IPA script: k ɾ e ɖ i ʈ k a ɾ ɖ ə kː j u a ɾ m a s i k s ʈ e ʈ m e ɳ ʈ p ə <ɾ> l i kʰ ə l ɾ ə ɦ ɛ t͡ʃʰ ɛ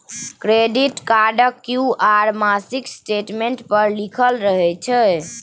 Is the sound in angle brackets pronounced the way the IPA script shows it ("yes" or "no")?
yes